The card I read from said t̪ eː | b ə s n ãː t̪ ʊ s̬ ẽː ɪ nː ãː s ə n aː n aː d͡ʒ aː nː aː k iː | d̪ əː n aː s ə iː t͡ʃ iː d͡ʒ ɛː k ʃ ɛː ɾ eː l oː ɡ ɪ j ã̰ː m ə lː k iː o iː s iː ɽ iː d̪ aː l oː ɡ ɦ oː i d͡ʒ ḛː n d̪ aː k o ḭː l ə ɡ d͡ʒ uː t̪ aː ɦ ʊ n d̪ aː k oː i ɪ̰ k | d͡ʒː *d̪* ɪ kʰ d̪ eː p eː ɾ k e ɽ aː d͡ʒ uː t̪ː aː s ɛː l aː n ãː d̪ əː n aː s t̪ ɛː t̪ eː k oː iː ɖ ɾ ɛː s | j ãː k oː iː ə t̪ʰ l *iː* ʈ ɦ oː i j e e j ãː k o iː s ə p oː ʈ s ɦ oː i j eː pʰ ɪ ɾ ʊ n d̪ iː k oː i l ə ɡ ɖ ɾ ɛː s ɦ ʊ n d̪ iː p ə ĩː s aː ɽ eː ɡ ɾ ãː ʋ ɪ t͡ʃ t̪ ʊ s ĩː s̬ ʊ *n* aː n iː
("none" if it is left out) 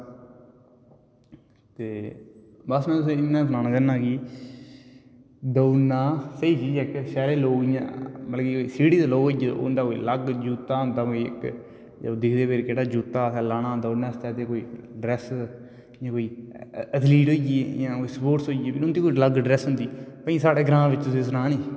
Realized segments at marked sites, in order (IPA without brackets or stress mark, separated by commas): d̪, iː, n